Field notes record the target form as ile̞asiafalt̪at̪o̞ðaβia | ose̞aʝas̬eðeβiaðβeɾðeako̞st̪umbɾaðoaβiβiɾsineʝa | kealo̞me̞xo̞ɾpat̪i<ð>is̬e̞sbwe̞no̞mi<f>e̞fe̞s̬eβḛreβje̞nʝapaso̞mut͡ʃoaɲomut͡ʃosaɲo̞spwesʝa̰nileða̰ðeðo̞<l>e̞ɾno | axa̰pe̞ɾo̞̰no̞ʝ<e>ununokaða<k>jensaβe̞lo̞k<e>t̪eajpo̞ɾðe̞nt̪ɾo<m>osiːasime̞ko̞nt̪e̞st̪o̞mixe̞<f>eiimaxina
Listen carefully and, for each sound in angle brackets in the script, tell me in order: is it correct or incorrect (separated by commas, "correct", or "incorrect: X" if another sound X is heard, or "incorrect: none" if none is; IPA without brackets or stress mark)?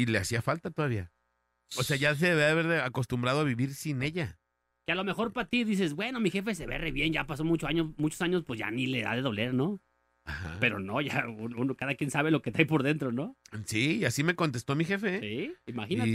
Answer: correct, incorrect: x, correct, incorrect: a, correct, correct, incorrect: n, correct